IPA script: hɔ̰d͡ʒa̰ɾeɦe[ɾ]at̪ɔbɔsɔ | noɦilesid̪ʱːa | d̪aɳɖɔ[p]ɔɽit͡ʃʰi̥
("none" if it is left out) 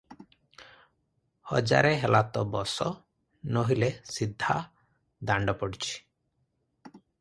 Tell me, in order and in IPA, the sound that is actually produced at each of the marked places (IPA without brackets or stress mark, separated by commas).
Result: l, p